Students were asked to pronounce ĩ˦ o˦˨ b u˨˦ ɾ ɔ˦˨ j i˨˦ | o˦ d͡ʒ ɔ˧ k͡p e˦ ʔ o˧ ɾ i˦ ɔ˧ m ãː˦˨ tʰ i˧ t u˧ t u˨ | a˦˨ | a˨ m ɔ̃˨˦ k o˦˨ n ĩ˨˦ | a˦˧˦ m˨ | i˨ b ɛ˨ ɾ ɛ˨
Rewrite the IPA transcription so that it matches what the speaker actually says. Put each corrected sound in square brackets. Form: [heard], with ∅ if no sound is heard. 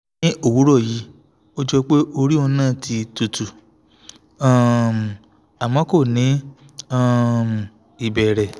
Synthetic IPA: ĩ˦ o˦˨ [w] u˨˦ ɾ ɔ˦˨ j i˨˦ | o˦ d͡ʒ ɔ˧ k͡p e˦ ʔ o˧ ɾ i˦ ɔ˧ [n] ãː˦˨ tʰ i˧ t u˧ t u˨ | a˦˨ | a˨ m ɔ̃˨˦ k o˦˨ n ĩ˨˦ | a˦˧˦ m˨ | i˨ b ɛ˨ ɾ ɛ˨